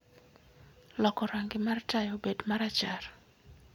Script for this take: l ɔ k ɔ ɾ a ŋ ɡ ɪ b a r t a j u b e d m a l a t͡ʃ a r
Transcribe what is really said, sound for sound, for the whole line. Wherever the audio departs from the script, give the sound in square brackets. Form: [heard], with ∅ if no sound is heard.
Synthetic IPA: l ɔ k ɔ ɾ a ŋ ɡ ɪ [m] a r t a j [o] b e d m a [ɾ] a t͡ʃ a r